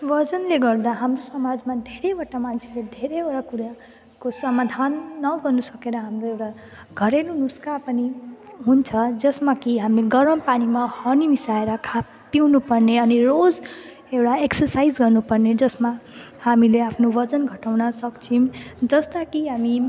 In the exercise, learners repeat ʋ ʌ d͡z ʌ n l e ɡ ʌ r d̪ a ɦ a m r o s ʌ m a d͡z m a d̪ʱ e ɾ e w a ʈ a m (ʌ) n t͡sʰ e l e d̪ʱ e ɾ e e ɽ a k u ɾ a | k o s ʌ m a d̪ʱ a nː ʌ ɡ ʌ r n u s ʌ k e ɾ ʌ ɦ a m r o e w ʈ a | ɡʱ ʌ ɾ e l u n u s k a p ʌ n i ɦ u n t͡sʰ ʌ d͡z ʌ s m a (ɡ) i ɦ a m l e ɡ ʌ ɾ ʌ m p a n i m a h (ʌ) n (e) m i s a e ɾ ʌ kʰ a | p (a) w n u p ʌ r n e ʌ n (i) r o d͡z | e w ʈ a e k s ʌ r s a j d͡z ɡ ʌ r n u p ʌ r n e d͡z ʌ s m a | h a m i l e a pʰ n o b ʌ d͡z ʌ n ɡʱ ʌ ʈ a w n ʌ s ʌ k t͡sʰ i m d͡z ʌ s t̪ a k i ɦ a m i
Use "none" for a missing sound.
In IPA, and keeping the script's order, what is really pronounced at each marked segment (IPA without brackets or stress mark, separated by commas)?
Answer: a, k, ʌ, i, i, i